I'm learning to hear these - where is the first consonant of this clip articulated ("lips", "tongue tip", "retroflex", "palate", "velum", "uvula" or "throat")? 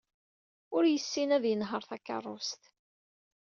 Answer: tongue tip